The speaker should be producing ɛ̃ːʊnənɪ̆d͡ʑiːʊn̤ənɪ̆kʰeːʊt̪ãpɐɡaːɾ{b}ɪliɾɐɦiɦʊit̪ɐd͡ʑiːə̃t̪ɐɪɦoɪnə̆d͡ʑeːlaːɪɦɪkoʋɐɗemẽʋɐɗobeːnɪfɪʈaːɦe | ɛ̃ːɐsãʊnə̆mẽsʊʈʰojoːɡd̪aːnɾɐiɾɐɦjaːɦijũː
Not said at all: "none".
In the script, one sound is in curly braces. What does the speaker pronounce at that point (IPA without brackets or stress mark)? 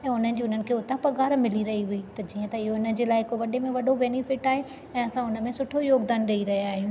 m